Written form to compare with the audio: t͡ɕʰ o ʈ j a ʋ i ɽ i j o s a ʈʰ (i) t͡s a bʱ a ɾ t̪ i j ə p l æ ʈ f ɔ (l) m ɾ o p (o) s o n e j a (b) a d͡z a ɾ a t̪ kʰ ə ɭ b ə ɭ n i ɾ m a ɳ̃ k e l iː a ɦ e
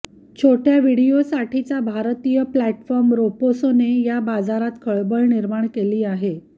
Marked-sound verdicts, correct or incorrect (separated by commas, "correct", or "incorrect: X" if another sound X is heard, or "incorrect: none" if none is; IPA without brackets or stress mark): correct, incorrect: ɾ, correct, correct